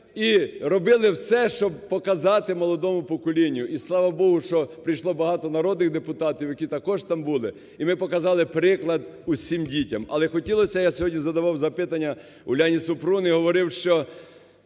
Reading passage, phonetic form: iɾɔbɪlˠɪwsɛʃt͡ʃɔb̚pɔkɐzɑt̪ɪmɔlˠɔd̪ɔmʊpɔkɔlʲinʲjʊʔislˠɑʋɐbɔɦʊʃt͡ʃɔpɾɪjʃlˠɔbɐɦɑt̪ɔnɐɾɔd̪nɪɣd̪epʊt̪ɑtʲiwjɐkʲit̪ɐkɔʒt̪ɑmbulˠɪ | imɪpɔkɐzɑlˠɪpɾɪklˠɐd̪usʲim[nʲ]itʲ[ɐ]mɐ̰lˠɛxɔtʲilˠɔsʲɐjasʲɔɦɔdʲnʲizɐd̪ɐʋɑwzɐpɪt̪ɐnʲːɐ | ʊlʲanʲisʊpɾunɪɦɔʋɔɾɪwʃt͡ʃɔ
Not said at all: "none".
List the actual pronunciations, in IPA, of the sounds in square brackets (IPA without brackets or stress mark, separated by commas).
dʲ, ɐ